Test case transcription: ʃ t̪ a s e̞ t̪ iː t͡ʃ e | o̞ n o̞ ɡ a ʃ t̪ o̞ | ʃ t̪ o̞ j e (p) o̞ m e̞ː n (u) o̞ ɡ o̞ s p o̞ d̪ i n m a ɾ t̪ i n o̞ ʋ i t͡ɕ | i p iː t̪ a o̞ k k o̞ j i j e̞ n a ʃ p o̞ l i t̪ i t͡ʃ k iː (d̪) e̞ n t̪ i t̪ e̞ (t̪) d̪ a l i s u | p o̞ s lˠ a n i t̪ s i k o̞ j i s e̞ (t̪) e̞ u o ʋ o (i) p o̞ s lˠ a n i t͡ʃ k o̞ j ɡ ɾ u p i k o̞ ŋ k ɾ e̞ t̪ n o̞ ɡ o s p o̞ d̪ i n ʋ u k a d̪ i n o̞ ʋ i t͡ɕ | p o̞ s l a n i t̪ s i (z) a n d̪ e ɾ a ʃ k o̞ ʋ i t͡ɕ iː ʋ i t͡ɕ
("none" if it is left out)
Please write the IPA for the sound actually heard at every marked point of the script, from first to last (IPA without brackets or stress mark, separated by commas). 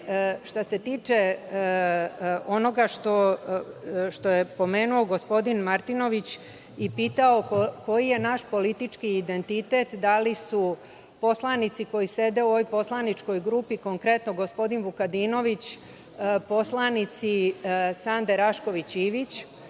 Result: p, u, d̪, t̪, d̪, j, s